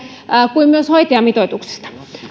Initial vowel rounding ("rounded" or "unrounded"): rounded